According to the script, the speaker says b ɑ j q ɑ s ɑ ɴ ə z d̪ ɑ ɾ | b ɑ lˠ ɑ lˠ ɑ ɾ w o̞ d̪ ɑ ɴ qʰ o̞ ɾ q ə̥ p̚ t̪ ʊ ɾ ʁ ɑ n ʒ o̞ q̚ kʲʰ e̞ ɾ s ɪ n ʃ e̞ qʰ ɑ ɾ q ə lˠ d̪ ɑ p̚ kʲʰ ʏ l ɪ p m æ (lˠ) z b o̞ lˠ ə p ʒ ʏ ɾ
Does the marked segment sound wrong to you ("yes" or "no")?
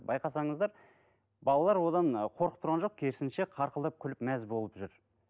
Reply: yes